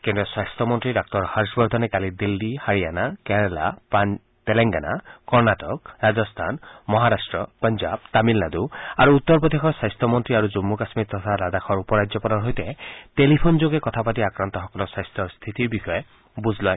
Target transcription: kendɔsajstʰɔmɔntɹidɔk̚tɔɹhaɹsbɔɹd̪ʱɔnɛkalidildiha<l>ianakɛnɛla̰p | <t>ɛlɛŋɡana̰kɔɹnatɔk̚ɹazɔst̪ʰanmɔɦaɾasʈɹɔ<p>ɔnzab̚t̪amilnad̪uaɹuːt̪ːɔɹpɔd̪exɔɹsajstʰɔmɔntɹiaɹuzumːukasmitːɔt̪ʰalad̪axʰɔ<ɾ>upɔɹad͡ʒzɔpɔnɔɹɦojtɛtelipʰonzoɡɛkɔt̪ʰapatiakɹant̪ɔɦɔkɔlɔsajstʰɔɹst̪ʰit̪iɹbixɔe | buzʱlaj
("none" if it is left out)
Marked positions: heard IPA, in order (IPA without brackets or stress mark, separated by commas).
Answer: ɹ, t, p, ɹ